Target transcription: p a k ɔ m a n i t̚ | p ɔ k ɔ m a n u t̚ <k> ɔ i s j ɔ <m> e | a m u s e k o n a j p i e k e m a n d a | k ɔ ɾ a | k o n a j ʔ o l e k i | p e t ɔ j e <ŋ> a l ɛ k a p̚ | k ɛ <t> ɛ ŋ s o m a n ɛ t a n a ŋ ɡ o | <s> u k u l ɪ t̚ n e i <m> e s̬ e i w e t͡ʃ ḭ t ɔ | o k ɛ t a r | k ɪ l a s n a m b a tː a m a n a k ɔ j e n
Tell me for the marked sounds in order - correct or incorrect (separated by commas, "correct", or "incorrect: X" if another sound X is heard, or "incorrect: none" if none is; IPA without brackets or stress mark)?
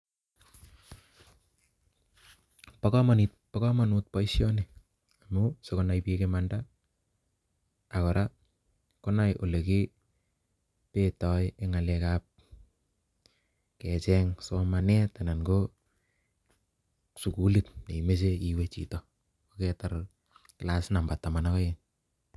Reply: incorrect: p, incorrect: n, correct, incorrect: t͡ʃ, correct, correct